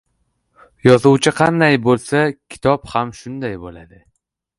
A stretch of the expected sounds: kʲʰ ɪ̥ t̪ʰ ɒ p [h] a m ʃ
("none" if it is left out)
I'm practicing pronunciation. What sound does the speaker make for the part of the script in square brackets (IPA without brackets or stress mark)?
h